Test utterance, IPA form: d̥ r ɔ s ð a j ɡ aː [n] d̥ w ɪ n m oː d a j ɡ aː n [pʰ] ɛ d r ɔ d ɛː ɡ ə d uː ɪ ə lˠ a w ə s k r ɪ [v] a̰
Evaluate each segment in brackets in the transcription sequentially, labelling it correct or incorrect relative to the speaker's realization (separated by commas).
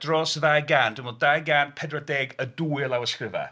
correct, correct, correct